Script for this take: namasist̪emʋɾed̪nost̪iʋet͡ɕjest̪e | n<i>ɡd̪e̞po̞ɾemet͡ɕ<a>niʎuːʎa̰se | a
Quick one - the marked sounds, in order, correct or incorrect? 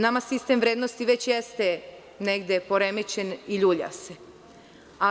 incorrect: e, incorrect: e

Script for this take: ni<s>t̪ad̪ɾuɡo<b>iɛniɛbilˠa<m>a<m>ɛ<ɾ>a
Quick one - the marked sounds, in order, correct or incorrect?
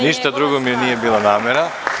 incorrect: ʃ, incorrect: m, incorrect: n, correct, correct

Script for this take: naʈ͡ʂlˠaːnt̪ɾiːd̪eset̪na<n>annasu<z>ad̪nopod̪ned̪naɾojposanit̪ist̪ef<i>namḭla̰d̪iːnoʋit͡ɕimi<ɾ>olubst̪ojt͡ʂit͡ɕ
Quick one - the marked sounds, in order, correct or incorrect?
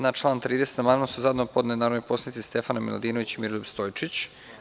incorrect: m, correct, incorrect: a, correct

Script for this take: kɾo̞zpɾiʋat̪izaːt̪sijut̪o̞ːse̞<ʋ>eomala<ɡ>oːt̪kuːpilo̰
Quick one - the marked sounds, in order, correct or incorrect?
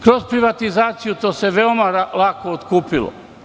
correct, incorrect: k

